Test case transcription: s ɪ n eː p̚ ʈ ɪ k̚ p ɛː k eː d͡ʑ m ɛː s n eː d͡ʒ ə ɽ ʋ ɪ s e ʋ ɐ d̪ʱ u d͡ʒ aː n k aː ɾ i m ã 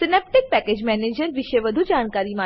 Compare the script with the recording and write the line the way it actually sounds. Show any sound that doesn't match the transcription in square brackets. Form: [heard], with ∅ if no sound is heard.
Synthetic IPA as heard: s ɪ n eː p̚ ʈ ɪ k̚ p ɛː k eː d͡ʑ m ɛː [∅] n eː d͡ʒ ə [ɾ] ʋ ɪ [ʃ] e ʋ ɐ d̪ʱ u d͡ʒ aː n k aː ɾ i m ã